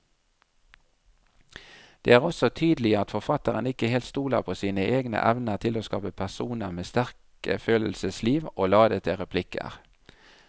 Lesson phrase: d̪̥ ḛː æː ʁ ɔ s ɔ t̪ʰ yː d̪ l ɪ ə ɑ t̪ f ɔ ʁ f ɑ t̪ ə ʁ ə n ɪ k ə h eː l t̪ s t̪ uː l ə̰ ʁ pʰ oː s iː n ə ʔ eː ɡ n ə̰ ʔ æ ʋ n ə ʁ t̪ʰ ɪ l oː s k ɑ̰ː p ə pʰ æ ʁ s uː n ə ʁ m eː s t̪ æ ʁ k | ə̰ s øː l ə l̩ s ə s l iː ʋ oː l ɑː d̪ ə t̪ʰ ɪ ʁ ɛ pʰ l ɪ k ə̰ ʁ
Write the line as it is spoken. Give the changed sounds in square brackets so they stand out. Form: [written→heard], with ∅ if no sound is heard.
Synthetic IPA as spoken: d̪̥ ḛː æː ʁ ɔ s ɔ t̪ʰ yː d̪ l ɪ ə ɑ t̪ f ɔ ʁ f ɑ t̪ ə ʁ ə n ɪ k ə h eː l t̪ s t̪ uː l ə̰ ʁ pʰ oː s iː n ə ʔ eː ɡ n ə̰ ʔ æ ʋ n ə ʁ t̪ʰ ɪ l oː s k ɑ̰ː p ə pʰ æ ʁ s uː n ə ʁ m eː s t̪ æ ʁ k | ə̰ [s→f] øː l ə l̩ s ə s l iː ʋ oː l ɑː d̪ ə t̪ʰ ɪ ʁ ɛ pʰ l ɪ k ə̰ ʁ